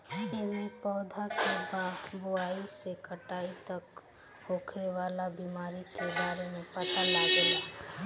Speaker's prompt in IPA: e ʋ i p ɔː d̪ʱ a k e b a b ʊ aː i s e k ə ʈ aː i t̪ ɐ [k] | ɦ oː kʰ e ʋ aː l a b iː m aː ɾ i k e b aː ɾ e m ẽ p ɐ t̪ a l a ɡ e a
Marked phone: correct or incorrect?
correct